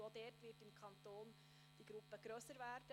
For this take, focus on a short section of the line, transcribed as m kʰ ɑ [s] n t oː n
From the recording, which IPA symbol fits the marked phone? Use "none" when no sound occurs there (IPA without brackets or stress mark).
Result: none